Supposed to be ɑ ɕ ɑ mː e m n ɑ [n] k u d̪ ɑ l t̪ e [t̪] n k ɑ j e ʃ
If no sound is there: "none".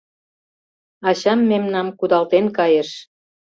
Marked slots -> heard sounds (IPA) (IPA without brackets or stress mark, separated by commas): m, none